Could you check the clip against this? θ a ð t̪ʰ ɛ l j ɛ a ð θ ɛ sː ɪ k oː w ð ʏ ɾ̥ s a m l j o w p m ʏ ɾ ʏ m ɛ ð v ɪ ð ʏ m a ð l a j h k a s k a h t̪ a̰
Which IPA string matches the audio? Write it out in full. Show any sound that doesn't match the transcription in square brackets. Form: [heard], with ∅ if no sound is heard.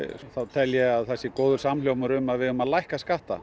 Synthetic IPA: θ a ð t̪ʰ ɛ l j ɛ a ð θ ɛ sː ɪ k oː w ð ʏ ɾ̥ s a m l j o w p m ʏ ɾ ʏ m [a] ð v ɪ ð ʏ m a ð l a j h k a s k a h t̪ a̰

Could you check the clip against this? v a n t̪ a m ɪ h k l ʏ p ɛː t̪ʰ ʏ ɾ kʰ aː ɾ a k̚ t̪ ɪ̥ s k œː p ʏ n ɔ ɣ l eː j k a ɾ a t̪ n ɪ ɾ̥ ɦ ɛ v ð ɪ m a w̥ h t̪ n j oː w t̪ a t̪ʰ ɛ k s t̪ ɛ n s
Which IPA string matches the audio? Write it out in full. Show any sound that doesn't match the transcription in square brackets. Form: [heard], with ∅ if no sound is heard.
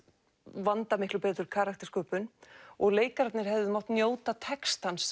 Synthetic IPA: v a n t̪ a m ɪ h k l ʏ p ɛː [t̪] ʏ ɾ kʰ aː ɾ a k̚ t̪ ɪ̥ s k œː p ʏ n ɔ ɣ l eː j k a ɾ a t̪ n ɪ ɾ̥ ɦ ɛ v ð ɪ m a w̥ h t̪ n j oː w t̪ a t̪ʰ ɛ k s t̪ [a] n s

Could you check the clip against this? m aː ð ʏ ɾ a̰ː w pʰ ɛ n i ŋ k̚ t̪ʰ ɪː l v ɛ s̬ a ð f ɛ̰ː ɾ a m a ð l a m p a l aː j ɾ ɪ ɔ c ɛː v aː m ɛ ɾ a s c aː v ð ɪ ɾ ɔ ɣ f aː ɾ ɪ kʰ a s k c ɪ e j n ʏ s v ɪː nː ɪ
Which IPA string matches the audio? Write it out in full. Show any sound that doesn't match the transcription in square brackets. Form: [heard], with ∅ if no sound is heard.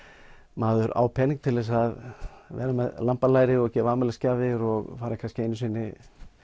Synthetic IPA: m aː ð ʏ ɾ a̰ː w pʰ ɛ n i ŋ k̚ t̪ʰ [ɪ] l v ɛ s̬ a ð [v] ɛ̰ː ɾ a m [ɛ] ð l a m p a l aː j ɾ ɪ ɔ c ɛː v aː m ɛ [l] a s c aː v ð ɪ ɾ ɔ ɣ f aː ɾ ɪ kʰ a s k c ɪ e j n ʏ s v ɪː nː ɪ

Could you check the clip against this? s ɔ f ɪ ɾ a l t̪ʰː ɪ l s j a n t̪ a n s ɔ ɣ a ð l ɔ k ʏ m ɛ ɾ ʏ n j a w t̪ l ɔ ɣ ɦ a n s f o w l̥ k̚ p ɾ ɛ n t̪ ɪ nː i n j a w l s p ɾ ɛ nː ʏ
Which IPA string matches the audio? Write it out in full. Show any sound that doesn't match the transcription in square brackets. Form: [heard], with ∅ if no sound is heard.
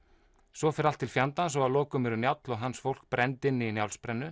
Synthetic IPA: s ɔ f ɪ ɾ a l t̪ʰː ɪ l [f] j a n t̪ a n s ɔ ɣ a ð l [ɔː] k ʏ m ɛ ɾ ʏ n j a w t̪ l ɔ ɣ ɦ a n s f o w l̥ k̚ p ɾ ɛ n t̪ ɪ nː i n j a w l s p ɾ ɛ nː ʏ

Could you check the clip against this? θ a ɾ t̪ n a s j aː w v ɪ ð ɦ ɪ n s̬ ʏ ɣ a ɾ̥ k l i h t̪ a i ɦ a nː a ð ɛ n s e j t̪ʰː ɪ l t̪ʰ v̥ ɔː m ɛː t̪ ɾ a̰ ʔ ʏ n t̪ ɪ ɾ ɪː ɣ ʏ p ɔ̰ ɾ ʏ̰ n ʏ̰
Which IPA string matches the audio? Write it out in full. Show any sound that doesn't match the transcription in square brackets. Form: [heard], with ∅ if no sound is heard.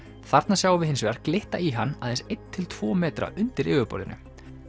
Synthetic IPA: θ a ɾ t̪ n a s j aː w v ɪ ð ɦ ɪ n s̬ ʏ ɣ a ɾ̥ k l [ɪ] h t̪ a i ɦ a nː a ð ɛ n s e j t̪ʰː ɪ l t̪ʰ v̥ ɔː m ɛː t̪ ɾ a̰ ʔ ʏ n t̪ ɪ ɾ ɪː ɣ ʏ p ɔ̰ ɾ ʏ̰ n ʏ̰

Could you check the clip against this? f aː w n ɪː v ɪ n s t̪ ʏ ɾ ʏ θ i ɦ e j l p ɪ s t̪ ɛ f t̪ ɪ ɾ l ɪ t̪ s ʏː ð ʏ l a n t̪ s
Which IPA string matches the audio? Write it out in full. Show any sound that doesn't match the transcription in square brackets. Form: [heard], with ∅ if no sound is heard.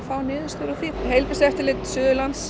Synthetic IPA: f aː w n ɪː [ð] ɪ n s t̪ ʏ ɾ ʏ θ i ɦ e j l p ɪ s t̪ ɛ f t̪ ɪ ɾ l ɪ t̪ s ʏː ð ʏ l a n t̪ s

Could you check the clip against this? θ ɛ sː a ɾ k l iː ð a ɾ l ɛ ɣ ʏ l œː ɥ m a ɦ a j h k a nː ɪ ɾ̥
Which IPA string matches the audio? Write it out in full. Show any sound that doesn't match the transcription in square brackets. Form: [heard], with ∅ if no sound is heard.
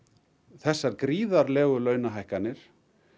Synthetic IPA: θ ɛ sː a ɾ k [ɾ] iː ð a ɾ l [ɛː] ɣ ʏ l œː ɥ [n] a ɦ a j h k a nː ɪ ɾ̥

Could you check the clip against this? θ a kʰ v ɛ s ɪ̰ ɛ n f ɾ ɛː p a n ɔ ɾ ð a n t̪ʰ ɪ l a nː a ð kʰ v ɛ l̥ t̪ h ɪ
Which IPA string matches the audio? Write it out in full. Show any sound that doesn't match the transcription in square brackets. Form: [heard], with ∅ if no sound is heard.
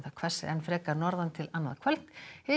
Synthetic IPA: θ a kʰ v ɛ s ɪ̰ ɛ n f ɾ ɛː [k] a n ɔ ɾ ð a n t̪ʰ ɪ l a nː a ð kʰ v ɛ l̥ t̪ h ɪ

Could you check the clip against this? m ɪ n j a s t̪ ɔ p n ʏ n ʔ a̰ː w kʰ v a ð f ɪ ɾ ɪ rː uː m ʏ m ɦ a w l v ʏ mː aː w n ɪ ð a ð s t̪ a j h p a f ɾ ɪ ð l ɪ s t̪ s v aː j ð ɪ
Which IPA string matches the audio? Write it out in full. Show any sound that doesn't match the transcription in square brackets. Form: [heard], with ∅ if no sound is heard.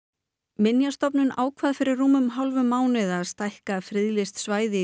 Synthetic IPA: m ɪ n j a s t̪ ɔ p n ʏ n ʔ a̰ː w kʰ v a ð f ɪ ɾ ɪ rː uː m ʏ m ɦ a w l v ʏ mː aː w n ɪ ð a ð s t̪ a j h [k] a f ɾ ɪ ð l ɪ s t̪ s v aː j ð ɪ

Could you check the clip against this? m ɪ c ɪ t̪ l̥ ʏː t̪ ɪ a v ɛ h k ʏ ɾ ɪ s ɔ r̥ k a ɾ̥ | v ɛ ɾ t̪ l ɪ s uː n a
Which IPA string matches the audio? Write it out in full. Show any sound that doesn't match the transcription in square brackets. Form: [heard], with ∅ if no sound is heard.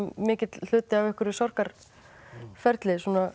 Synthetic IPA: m [ɪː] c ɪ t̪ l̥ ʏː t̪ ɪ a v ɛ h k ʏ ɾ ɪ s ɔ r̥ k a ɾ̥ | [f] ɛ ɾ t̪ l ɪ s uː n a

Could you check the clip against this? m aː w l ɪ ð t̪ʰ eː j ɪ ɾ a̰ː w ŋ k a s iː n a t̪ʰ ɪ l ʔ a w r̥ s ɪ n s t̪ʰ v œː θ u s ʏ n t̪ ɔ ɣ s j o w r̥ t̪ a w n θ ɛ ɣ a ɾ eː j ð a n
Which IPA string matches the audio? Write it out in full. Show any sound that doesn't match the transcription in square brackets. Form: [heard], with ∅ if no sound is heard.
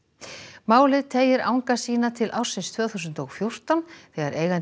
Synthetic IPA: m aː w l ɪ ð t̪ʰ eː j ɪ ɾ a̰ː w ŋ k a s iː n a t̪ʰ ɪ l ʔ a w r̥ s ɪ n s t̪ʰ v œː θ u s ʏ n t̪ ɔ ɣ [f] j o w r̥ t̪ a w n θ ɛ ɣ a ɾ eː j [ɣ] a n

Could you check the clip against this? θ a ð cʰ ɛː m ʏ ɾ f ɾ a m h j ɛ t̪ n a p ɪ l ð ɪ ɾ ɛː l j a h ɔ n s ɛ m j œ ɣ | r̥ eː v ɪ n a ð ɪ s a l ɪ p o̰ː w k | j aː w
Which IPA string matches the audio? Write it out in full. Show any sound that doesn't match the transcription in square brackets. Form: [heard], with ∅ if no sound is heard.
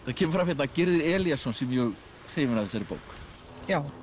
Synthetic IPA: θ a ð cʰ ɛː m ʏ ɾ f ɾ a m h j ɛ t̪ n a [c] ɪ [ɾ] ð ɪ ɾ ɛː l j a [s] ɔ n s ɛ m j œ ɣ | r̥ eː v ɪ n a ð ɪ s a [ɾ] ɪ p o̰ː w k | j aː w

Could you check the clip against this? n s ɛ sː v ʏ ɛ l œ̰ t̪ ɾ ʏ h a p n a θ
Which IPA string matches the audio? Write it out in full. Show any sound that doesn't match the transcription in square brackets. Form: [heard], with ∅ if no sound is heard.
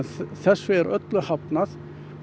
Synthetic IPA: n [θ] ɛ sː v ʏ ɛ [ɾ] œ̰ t̪ [l] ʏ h a p n a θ

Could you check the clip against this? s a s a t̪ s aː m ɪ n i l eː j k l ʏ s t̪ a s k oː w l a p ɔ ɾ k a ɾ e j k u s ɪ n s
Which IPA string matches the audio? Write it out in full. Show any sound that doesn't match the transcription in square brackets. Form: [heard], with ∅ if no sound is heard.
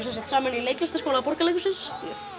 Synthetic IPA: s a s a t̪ s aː m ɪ n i l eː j k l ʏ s t̪ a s k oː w l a p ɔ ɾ k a [l] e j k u s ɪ n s

